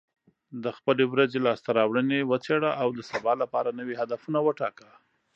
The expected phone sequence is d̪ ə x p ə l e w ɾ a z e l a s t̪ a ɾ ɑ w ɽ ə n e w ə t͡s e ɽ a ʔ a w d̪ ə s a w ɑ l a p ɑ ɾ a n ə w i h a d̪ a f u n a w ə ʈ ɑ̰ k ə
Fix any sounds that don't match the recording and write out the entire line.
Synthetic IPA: d̪ ə x p ə l e w ɾ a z e l ɑ s t̪ a ɾ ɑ w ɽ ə n e w ə t͡s e ɽ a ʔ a w d̪ ə s a b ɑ l a p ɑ ɾ a n ə w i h a d̪ a f u n a w ə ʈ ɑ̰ k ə